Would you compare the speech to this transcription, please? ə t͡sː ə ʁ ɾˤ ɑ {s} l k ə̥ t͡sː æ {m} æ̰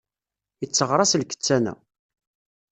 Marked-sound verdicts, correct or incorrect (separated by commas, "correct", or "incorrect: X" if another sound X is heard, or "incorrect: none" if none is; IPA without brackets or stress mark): correct, incorrect: n